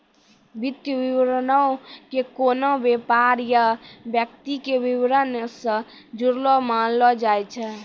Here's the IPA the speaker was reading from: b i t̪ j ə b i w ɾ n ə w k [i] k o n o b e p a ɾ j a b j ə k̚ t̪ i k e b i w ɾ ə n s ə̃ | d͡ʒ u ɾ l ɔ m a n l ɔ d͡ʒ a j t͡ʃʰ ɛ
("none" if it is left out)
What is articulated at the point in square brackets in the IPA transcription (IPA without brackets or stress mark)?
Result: e